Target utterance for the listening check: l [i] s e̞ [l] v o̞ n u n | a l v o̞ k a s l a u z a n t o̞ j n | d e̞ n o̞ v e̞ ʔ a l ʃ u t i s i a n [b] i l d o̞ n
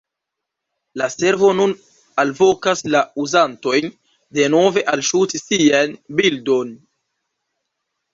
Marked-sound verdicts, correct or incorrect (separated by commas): incorrect, incorrect, correct